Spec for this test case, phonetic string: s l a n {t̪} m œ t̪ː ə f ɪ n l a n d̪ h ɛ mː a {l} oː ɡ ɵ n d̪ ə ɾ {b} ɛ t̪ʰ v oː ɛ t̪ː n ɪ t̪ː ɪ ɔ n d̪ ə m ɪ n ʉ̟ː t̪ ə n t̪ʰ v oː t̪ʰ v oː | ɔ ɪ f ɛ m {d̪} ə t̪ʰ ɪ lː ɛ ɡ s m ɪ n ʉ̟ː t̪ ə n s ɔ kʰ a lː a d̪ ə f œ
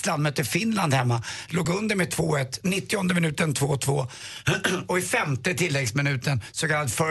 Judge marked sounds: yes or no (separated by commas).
no, yes, no, no